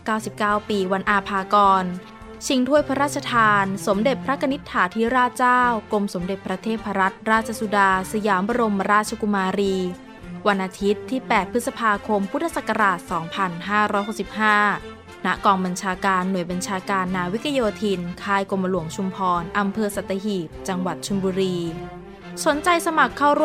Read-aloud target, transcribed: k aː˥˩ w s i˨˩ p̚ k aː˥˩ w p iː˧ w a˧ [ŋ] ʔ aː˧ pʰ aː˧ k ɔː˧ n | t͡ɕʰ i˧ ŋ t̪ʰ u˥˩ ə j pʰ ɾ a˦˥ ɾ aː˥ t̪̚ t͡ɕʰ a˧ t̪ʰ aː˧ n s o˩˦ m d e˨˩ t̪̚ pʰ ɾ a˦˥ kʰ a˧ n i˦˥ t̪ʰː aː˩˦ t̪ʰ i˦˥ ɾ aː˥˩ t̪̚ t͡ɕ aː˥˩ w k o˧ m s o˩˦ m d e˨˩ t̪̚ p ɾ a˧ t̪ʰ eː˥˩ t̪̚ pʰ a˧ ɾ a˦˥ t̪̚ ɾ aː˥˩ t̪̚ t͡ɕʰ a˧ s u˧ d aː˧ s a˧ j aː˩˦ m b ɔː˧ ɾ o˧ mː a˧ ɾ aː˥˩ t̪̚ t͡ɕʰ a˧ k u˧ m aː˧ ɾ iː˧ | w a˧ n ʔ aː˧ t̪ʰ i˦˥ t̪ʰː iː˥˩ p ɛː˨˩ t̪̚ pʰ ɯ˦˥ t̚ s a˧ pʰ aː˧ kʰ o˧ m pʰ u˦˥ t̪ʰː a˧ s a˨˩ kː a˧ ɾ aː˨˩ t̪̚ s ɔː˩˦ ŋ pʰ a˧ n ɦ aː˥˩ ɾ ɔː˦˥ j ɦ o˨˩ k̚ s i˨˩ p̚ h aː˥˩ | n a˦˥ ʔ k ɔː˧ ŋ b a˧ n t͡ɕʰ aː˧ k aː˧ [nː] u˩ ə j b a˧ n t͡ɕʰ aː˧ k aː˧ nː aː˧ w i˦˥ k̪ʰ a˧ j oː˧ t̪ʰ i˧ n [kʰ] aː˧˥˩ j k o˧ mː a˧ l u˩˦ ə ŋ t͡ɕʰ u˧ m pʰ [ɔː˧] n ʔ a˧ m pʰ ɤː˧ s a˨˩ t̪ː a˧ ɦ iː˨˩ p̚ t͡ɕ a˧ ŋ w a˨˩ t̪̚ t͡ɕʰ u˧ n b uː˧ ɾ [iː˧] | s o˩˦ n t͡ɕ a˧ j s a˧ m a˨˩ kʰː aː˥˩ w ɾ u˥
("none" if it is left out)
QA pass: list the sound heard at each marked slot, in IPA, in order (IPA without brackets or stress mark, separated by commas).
n, nː, kʰ, ɔː˧, iː˧